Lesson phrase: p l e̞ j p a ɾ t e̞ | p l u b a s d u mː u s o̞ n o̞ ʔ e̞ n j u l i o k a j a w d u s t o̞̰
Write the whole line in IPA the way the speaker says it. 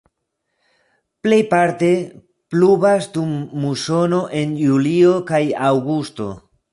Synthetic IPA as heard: p l e̞ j p a ɾ t e̞ | p l u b a s d u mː u s o̞ n o̞ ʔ e̞ n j u l i o k a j a w ɡ u s t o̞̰